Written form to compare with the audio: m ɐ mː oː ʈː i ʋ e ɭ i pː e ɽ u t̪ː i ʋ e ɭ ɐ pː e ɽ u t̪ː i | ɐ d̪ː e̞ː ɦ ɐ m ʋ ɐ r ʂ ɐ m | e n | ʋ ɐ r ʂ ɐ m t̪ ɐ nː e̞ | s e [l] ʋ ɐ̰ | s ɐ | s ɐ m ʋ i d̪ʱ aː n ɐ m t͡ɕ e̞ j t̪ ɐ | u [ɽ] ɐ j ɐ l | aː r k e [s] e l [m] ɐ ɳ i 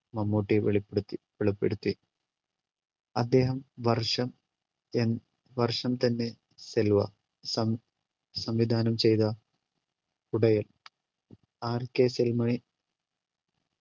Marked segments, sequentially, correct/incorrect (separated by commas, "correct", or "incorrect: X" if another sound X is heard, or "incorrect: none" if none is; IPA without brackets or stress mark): correct, correct, correct, correct